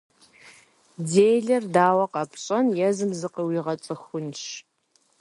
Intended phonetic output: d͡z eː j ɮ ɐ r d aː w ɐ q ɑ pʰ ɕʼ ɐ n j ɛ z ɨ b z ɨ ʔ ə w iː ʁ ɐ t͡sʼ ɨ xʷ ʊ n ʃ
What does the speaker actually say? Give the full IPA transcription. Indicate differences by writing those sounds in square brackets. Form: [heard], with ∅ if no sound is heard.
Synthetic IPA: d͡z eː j ɮ ɐ r d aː w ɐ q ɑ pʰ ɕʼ ɐ n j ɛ z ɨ [m] z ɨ [q] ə w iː ʁ ɐ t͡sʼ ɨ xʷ ʊ n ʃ